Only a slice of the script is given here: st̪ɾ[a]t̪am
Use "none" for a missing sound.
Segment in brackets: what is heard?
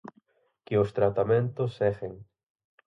a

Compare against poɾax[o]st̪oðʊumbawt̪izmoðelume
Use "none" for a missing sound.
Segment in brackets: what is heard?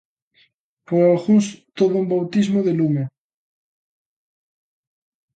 u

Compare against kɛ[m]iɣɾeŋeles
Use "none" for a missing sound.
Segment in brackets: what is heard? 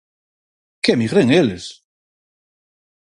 m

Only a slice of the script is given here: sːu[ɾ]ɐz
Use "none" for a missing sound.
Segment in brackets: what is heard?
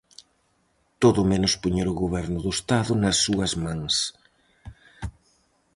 none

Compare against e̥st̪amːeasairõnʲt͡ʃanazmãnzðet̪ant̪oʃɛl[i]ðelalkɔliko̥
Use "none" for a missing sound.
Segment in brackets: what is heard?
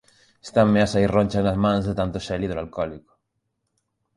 i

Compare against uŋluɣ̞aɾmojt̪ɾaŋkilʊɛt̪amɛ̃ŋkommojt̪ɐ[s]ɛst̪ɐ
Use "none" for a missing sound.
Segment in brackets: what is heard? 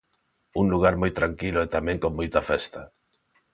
f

